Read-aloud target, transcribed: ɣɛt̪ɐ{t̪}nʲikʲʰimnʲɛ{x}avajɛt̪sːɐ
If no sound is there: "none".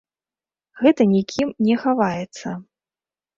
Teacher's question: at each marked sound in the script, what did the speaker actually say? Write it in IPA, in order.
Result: none, x

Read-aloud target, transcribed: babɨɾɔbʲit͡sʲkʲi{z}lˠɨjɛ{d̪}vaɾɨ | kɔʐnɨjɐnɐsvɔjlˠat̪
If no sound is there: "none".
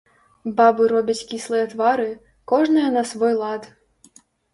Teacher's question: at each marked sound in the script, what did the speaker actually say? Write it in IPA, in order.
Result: s, t̪

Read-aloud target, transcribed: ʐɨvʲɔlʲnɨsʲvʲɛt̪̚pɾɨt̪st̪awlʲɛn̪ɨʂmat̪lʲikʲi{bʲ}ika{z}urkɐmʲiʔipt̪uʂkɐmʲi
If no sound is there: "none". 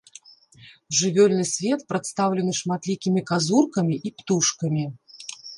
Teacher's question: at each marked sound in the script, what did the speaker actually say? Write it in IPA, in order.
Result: mʲ, z

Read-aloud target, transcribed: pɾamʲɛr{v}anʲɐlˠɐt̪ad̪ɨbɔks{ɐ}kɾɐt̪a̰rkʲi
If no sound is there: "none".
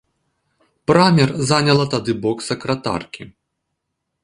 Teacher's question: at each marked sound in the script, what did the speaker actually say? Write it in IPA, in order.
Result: z, ɐ

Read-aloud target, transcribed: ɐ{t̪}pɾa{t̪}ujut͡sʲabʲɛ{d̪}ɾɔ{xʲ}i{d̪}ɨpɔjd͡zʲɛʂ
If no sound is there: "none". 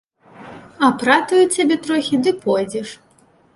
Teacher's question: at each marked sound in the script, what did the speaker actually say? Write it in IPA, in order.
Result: none, t̪, t̪, xʲ, d̪

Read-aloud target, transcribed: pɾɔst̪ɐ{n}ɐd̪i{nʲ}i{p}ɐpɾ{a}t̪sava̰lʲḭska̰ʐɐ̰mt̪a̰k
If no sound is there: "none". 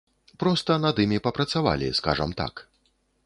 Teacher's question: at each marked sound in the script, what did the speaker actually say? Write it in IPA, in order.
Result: n, mʲ, p, ɐ

